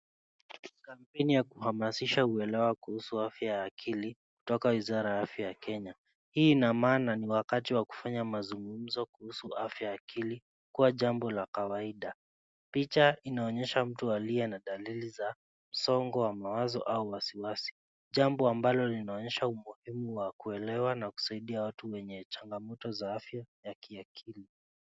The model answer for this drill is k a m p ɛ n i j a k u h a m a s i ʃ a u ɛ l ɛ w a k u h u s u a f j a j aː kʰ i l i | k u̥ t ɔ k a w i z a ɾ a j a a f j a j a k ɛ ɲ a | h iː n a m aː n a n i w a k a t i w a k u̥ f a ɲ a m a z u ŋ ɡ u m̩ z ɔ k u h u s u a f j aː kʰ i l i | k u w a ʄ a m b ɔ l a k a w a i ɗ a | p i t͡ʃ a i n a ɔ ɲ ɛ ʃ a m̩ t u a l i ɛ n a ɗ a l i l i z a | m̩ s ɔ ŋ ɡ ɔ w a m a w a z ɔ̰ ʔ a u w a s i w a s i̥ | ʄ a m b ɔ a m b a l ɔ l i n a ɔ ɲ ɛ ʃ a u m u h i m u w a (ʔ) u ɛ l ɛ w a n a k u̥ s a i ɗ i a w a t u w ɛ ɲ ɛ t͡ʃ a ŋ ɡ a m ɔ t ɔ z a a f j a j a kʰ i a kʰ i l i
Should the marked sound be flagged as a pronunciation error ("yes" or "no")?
yes